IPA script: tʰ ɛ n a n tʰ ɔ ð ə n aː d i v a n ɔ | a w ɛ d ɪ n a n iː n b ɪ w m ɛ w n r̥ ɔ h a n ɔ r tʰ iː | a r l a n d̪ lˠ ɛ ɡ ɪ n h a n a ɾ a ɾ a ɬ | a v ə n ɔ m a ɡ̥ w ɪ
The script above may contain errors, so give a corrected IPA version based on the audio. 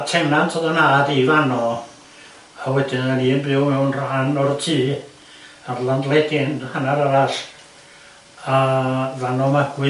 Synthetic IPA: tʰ ɛ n a n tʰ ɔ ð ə n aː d i v a n ɔ | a w ɛ d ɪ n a n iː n b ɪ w m ɛ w n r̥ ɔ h a n ɔ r tʰ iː | a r l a n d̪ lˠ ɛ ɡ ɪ n h a n a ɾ a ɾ a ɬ | a v a n ɔ m a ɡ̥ w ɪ